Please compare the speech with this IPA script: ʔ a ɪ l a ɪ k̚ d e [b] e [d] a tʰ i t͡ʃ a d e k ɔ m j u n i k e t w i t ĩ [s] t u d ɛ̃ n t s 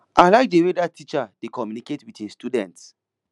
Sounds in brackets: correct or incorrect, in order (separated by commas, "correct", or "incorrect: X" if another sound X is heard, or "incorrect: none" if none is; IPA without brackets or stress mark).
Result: incorrect: w, correct, correct